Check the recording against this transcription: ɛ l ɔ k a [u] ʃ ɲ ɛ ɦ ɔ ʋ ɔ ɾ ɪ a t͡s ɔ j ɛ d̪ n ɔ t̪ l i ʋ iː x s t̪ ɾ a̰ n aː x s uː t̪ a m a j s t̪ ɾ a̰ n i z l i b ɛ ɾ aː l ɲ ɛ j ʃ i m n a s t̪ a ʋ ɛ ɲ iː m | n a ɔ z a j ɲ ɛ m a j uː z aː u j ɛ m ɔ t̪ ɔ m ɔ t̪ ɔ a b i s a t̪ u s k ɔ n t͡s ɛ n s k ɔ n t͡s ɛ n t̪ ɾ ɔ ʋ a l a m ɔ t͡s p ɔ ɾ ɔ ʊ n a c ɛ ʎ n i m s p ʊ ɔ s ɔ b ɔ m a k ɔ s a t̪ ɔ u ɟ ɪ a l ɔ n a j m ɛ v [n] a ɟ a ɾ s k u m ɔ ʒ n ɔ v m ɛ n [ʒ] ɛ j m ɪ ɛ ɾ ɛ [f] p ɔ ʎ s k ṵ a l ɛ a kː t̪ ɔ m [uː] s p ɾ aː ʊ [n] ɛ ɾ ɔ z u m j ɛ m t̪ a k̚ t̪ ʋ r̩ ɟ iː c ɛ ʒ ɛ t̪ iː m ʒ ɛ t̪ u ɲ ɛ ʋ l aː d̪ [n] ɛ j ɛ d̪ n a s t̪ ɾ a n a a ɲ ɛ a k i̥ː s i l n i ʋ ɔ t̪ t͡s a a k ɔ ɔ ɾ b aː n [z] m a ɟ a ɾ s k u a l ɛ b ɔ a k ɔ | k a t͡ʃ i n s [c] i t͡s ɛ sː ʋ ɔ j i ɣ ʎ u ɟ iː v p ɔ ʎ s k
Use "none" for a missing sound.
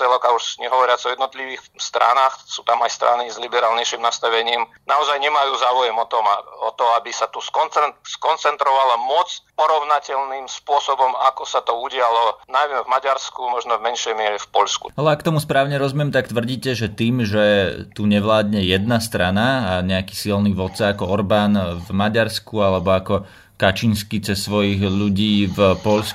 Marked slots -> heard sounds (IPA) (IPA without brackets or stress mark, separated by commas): u, m, ʃ, f, u, ɲ, ɲ, v, k